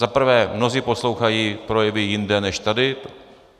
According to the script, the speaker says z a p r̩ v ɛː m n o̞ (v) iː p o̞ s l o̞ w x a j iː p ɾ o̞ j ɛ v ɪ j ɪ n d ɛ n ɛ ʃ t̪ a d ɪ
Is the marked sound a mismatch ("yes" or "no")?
yes